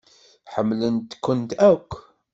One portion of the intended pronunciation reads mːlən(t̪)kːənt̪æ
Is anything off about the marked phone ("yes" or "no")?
no